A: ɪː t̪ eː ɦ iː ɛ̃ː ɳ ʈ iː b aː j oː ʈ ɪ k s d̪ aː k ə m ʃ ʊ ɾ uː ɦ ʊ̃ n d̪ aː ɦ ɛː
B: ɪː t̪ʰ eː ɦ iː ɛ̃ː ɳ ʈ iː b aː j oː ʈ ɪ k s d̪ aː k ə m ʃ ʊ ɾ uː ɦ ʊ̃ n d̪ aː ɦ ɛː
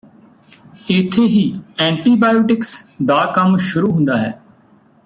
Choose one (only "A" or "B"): B